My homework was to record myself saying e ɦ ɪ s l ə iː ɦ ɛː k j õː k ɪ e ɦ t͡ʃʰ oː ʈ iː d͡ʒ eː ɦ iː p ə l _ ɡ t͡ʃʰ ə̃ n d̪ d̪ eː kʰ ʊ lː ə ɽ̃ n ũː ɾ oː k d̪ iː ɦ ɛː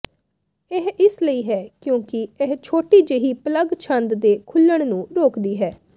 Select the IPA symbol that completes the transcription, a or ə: ə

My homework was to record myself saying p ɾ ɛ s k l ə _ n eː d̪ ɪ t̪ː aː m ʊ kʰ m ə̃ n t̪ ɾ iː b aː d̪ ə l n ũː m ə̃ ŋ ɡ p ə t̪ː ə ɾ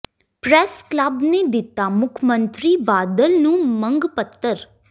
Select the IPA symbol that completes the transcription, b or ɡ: b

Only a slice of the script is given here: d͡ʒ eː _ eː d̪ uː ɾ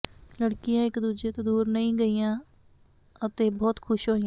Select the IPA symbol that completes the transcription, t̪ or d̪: t̪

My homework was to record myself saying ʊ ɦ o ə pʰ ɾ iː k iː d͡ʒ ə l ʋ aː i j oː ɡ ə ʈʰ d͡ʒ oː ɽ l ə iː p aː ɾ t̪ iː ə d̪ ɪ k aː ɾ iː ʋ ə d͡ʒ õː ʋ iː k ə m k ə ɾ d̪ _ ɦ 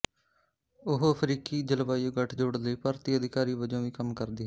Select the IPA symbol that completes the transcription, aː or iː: iː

